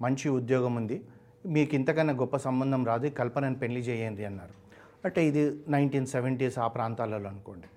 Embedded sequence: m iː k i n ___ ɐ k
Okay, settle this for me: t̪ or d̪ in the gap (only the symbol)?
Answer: t̪